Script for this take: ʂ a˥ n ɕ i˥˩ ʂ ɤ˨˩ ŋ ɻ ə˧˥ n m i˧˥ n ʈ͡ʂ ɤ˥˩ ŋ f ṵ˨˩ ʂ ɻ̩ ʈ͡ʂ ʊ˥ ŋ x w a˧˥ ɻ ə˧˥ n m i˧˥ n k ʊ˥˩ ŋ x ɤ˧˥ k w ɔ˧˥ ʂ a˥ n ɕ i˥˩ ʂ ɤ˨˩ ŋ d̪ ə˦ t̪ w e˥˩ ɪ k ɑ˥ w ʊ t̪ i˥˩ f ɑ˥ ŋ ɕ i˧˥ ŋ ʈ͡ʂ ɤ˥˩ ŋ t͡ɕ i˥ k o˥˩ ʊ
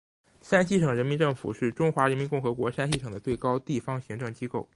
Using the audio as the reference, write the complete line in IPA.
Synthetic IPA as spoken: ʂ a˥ n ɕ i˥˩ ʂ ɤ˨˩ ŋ ɻ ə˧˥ n m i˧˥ n ʈ͡ʂ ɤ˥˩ ŋ f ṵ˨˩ ʂ ɻ̩ ʈ͡ʂ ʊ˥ ŋ x w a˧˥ ɻ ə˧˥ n m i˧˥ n k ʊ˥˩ ŋ x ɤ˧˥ k w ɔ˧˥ ʂ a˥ n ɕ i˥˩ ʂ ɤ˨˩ ŋ d̪ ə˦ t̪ w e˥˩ ɪ k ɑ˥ ʊ t̪ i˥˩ f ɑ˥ ŋ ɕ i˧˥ ŋ ʈ͡ʂ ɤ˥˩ ŋ t͡ɕ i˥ k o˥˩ ʊ

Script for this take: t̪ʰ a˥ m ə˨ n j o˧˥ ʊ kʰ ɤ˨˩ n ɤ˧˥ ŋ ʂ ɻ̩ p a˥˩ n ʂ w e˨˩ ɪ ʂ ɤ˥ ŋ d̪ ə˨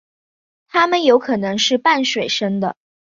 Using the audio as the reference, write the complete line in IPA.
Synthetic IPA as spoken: t̪ʰ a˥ m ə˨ n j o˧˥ ʊ kʰ ɤ˨˩ n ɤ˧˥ ŋ ʂ ɻ̩ p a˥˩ n ʂ w e˨˩ ɪ ʂ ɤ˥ ŋ d̪ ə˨

